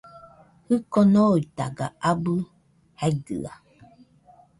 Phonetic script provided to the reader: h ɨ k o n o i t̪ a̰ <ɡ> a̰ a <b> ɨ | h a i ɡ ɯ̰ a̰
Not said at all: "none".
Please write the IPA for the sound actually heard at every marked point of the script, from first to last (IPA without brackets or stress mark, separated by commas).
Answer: ɡ, b